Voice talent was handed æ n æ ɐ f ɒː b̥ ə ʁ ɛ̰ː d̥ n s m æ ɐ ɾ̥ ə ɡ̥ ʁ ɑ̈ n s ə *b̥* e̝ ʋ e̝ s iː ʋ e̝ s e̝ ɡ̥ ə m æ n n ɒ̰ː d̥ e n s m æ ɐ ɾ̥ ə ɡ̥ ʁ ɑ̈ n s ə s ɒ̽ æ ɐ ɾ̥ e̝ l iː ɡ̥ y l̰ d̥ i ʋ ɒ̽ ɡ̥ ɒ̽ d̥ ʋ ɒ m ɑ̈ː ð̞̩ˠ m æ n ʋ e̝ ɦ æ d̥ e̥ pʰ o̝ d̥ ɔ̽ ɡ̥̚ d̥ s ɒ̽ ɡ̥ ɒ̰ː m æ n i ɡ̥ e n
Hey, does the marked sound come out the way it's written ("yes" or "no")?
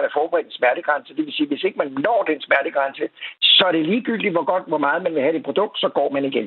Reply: no